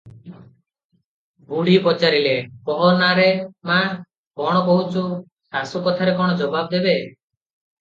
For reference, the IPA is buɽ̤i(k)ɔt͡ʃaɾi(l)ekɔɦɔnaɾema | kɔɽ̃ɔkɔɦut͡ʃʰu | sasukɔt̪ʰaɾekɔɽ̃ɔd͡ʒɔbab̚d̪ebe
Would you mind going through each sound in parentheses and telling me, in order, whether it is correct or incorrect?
incorrect: p, correct

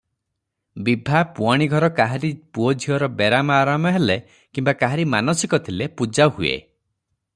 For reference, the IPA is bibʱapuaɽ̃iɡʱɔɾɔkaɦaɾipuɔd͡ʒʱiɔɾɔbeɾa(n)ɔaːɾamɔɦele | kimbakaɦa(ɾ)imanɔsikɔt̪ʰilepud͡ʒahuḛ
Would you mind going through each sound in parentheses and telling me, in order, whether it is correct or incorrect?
incorrect: m, correct

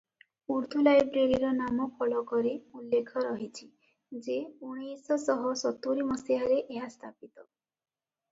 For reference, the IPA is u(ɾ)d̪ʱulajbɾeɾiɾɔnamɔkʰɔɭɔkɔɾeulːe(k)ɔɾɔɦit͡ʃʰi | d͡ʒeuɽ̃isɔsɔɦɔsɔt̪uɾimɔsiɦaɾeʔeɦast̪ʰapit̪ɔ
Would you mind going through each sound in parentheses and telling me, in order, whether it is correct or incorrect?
correct, incorrect: kʰ

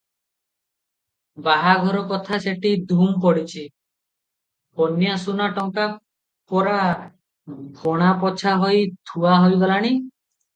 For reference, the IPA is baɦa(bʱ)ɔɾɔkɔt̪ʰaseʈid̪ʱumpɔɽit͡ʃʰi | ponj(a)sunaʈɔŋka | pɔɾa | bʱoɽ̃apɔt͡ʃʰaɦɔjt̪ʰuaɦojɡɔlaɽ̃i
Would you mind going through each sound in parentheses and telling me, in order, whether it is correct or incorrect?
incorrect: ɡʱ, correct

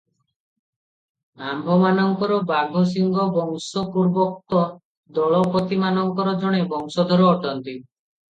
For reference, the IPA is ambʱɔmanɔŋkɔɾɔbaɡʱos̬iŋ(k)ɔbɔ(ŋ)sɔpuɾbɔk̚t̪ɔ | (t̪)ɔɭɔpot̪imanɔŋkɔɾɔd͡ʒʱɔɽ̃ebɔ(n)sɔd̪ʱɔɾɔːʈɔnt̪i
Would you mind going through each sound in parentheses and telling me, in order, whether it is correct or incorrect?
incorrect: ɡ, correct, incorrect: d̪, incorrect: ŋ

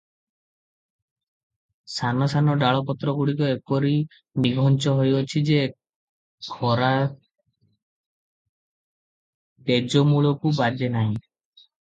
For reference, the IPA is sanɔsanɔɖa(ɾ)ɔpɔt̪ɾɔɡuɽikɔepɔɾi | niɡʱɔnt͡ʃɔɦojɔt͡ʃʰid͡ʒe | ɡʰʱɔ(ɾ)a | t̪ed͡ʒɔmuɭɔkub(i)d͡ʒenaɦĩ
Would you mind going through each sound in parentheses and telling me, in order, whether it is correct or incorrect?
incorrect: ɭ, correct, incorrect: a

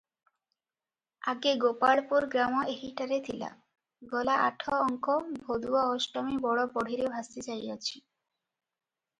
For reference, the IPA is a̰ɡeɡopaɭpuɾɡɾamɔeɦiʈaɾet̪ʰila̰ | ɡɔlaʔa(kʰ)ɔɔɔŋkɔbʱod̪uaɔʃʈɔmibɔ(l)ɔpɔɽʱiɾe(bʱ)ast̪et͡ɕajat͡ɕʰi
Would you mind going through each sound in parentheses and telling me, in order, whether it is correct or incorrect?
incorrect: ʈʰ, incorrect: ɽ, correct

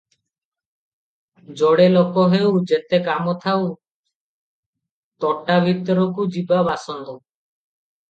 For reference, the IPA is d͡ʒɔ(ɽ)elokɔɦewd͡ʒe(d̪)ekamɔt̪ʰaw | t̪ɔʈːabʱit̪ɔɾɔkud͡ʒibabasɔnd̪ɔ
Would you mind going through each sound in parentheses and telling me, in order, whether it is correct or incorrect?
correct, incorrect: t̪

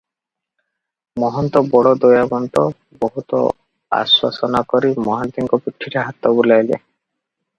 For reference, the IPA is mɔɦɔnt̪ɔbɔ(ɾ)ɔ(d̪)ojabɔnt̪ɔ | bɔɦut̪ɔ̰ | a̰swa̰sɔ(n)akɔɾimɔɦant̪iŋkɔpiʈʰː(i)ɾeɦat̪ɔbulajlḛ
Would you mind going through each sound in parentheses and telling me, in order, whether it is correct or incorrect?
incorrect: ɽ, correct, correct, correct

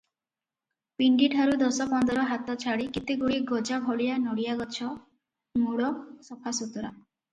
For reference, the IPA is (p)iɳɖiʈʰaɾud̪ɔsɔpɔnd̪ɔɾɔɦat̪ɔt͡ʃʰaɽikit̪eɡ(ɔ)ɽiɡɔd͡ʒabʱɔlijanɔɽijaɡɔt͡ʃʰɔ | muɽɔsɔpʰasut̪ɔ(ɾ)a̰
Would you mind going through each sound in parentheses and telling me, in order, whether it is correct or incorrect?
correct, incorrect: u, correct

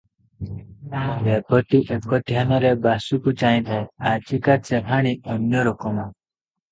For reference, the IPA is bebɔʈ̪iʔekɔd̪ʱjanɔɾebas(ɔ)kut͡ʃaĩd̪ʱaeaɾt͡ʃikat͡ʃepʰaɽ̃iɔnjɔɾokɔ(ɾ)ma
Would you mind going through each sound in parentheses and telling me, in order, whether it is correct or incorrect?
incorrect: u, incorrect: none

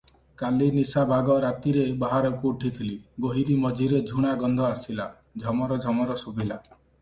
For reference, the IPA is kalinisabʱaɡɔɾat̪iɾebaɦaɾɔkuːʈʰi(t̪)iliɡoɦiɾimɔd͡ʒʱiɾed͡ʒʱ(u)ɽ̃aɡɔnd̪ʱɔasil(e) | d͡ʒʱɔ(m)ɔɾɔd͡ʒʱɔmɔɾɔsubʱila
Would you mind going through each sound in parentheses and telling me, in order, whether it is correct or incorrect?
incorrect: t̪ʰ, correct, incorrect: a, correct

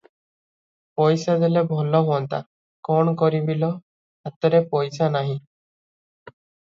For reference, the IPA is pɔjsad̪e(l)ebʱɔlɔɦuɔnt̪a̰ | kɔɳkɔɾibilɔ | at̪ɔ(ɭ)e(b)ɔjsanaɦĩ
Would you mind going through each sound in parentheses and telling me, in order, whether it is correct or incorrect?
correct, incorrect: ɾ, incorrect: p

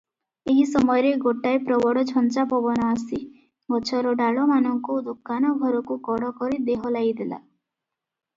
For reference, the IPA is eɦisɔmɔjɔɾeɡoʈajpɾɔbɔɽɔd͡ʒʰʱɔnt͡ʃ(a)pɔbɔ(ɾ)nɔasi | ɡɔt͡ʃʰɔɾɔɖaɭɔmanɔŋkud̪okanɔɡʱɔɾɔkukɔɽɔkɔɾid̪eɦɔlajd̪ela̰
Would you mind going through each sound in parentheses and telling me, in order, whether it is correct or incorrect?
correct, incorrect: none

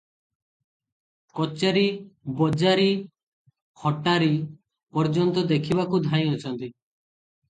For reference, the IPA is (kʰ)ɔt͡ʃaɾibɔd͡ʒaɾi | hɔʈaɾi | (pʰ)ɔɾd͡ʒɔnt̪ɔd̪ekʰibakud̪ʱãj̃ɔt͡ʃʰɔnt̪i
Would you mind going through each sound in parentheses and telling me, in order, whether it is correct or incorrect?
incorrect: k, incorrect: p

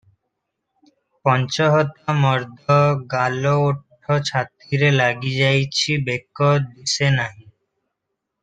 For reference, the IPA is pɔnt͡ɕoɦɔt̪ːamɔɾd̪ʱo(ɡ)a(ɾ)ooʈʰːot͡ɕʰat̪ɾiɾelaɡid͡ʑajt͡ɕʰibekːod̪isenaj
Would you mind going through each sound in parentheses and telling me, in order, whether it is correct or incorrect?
correct, incorrect: l

